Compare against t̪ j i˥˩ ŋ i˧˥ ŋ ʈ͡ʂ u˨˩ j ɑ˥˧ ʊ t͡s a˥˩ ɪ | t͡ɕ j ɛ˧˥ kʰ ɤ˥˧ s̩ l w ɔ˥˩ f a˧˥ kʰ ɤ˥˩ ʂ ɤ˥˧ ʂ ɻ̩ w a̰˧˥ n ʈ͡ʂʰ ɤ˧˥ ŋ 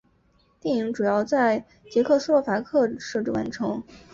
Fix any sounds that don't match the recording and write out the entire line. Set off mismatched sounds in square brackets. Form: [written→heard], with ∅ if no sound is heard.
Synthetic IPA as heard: t̪ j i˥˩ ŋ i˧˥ ŋ ʈ͡ʂ u˨˩ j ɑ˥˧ ʊ t͡s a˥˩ ɪ | t͡ɕ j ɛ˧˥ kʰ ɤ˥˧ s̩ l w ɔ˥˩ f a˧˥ kʰ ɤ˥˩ ʂ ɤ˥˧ [ʂ→ʈ͡ʂ] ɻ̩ w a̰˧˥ n ʈ͡ʂʰ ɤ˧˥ ŋ